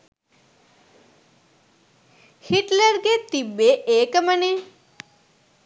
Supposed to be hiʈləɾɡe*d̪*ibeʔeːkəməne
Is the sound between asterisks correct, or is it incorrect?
incorrect